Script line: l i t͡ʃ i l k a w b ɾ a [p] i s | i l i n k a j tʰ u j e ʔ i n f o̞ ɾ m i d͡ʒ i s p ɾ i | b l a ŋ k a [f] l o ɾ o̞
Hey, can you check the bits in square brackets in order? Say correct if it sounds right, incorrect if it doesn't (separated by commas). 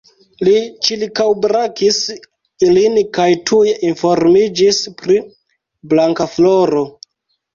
incorrect, correct